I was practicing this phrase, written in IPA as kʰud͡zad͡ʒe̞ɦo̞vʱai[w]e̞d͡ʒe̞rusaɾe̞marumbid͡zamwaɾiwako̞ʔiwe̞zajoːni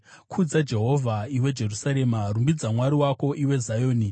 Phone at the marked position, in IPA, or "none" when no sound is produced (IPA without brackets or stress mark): w